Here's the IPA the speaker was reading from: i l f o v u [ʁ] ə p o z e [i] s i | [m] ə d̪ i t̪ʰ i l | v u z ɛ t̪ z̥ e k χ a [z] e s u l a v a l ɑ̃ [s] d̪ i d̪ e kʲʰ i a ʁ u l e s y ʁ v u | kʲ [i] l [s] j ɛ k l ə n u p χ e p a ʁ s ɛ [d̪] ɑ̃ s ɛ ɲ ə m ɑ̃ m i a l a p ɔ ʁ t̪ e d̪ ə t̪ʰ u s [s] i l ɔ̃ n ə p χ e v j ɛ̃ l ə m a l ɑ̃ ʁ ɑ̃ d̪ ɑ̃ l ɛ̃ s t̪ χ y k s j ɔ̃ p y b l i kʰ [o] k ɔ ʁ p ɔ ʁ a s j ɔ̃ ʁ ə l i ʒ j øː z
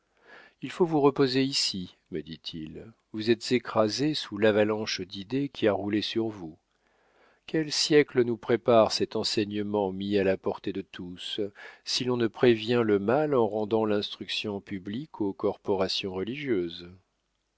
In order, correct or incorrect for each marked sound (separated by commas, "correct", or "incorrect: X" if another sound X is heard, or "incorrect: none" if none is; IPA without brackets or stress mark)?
correct, correct, correct, correct, incorrect: ʃ, incorrect: ɛ, correct, incorrect: t̪, correct, correct